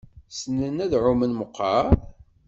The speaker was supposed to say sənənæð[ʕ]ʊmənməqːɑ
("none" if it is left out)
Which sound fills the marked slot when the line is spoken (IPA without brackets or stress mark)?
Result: ʕ